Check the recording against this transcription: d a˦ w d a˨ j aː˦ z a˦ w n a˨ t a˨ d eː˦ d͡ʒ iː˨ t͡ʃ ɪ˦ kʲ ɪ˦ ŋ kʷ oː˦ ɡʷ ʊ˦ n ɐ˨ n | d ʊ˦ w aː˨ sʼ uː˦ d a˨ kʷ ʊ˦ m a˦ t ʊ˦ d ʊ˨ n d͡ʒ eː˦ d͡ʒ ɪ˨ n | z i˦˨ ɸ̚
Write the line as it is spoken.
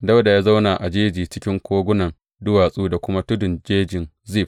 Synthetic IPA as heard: d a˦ w d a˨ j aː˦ z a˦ w n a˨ ʔ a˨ d͡ʒ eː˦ d͡ʒ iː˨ t͡ʃ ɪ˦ kʲ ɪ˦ ŋ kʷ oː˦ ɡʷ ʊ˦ n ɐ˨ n | d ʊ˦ w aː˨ sʼ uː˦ d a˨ kʷ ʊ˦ m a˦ t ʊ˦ d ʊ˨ n d͡ʒ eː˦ d͡ʒ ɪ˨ n | z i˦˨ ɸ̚